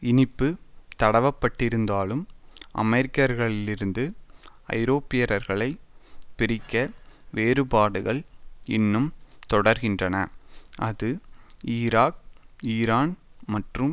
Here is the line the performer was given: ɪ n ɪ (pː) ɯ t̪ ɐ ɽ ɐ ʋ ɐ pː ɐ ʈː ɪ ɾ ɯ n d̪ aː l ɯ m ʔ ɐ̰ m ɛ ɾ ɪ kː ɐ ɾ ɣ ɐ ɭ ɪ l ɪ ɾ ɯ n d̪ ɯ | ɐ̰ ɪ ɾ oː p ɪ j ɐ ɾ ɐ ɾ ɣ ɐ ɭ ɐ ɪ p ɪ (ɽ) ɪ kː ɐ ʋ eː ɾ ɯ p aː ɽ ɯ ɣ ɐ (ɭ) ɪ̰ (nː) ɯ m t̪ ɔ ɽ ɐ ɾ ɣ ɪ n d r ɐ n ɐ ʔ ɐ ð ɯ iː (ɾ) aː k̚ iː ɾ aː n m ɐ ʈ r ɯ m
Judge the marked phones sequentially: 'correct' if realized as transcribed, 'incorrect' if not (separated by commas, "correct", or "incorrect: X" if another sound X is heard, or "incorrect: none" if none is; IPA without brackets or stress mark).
correct, incorrect: ɾ, correct, correct, correct